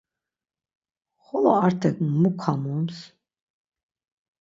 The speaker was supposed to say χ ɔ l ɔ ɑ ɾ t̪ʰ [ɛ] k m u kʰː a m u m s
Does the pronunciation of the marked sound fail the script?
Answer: no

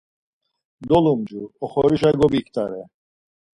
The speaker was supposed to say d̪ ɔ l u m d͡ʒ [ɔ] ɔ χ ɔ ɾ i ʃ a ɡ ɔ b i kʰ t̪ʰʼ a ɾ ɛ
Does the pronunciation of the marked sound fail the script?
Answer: yes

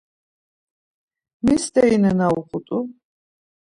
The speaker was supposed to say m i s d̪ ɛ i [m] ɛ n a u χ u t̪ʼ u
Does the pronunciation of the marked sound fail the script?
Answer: yes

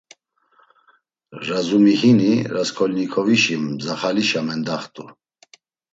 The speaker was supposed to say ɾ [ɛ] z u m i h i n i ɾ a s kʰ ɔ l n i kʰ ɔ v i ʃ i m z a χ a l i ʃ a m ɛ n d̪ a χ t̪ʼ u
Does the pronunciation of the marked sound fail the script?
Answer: yes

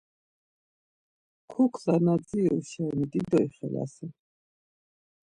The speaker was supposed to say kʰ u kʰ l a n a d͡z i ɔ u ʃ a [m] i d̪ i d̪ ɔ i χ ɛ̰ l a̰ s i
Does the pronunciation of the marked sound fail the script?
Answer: yes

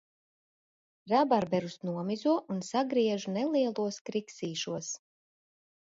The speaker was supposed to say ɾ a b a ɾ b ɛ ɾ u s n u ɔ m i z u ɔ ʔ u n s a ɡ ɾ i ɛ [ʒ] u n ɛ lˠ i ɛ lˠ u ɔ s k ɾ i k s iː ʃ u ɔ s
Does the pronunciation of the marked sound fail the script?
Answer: no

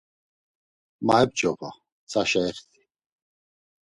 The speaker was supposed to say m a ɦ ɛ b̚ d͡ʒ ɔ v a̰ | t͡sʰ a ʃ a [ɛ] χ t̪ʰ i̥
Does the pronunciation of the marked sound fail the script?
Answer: no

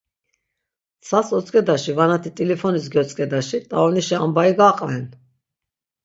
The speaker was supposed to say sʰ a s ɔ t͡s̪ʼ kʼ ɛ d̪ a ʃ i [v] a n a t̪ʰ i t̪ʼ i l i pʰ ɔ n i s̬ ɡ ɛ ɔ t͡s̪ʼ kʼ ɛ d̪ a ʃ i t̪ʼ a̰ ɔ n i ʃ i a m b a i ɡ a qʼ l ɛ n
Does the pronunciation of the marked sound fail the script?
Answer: no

